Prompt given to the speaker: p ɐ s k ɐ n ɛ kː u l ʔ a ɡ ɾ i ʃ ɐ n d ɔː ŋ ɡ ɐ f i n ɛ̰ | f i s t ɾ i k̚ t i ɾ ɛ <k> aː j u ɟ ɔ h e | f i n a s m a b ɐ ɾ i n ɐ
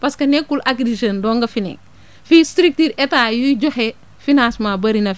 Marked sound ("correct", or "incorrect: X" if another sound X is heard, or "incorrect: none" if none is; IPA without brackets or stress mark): incorrect: t